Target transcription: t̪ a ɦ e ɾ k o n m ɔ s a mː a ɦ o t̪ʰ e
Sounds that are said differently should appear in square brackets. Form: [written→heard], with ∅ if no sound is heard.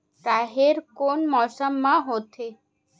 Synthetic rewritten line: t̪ a ɦ e ɾ k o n m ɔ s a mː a ɦ o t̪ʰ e